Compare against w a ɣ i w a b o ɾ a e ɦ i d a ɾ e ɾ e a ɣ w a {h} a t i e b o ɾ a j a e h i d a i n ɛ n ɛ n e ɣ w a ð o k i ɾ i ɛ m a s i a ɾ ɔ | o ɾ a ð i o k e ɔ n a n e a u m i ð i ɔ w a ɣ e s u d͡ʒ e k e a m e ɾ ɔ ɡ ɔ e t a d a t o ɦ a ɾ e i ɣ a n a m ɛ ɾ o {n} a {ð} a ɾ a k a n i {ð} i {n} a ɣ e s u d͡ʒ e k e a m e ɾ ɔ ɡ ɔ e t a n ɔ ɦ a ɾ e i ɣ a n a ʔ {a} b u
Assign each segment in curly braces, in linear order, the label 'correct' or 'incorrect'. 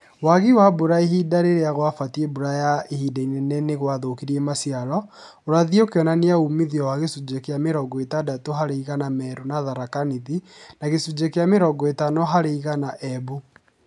incorrect: f, correct, correct, correct, correct, incorrect: ɛ

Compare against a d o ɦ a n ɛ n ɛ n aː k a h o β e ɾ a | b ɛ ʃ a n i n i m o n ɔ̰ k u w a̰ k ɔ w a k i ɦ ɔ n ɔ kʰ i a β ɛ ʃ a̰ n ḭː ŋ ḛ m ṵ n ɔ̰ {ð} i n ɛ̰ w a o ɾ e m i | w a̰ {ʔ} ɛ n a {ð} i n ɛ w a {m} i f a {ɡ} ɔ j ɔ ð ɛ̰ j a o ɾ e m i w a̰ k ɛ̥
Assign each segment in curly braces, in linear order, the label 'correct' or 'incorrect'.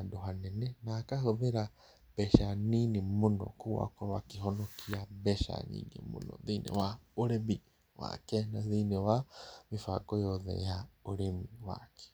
correct, incorrect: k, correct, correct, incorrect: k

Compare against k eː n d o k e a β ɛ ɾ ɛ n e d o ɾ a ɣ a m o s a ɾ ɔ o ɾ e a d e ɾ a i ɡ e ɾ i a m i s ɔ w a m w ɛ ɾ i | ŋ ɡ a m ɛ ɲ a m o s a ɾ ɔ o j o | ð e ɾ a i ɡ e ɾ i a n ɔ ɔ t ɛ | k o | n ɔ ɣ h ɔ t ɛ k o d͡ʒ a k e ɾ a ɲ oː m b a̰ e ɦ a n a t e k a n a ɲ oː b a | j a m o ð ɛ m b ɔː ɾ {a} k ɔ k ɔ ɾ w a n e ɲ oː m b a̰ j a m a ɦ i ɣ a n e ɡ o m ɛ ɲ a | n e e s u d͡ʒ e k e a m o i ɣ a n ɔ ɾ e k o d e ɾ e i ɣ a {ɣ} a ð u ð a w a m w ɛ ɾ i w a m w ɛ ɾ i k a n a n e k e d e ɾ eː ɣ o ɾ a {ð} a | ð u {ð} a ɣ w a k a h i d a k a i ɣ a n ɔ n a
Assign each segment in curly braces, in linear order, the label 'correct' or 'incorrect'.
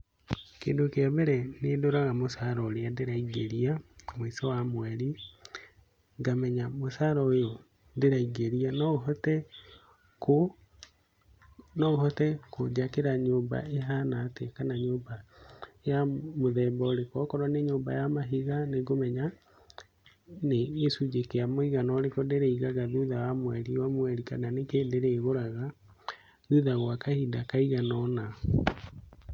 incorrect: e, correct, incorrect: ɣ, correct

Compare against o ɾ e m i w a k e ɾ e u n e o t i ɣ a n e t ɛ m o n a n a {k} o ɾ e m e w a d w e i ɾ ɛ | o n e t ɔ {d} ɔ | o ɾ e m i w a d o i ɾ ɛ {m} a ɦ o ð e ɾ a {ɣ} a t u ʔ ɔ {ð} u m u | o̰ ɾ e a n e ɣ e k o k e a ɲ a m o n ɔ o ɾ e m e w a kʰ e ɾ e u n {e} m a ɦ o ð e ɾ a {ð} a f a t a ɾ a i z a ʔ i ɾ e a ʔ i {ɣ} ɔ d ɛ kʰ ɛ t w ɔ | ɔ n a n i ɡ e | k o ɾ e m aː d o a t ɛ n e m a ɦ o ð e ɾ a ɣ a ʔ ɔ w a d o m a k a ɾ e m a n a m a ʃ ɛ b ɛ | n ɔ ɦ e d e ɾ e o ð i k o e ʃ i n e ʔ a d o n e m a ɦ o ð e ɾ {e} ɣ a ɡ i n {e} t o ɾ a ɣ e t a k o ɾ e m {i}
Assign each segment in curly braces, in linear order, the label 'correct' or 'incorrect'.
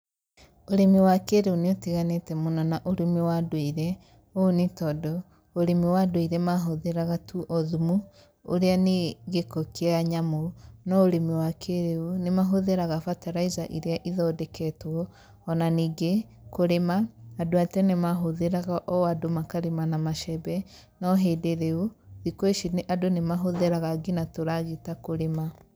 incorrect: ʔ, correct, correct, correct, correct, correct, incorrect: ɣ, incorrect: ð, incorrect: a, incorrect: a, incorrect: a

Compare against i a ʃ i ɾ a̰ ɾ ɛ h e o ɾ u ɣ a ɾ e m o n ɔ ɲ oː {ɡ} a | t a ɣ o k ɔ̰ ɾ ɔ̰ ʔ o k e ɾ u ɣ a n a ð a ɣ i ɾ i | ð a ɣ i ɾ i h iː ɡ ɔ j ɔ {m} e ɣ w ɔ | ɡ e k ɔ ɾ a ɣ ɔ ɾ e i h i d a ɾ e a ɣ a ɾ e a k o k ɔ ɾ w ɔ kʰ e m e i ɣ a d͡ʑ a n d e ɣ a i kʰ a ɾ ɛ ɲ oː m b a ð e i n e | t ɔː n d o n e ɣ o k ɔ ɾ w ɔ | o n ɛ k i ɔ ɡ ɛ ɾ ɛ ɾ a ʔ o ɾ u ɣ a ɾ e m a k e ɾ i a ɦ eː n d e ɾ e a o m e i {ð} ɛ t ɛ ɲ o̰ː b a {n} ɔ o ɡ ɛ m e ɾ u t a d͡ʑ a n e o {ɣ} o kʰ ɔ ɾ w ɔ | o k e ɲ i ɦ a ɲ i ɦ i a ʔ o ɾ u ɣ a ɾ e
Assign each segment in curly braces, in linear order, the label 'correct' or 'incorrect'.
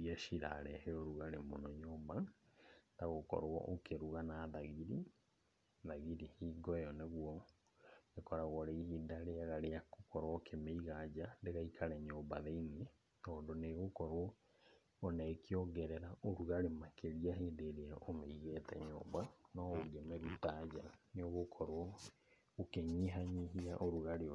incorrect: b, incorrect: n, incorrect: ɣ, correct, correct

